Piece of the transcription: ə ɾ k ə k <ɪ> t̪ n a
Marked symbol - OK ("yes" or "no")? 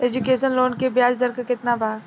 yes